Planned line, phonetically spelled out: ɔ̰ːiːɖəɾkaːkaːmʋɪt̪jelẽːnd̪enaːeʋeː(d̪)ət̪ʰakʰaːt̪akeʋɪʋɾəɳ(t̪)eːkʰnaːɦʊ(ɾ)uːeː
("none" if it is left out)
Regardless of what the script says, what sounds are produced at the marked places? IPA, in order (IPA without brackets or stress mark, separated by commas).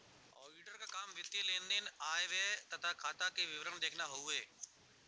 t̪, d̪, none